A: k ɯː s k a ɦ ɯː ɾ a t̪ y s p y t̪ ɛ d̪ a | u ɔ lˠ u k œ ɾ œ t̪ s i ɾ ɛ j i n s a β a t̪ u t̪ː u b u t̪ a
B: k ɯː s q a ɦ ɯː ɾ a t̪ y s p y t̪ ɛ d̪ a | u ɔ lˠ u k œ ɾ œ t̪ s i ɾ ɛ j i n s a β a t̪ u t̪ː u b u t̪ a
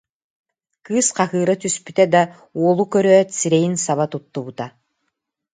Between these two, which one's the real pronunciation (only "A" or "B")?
B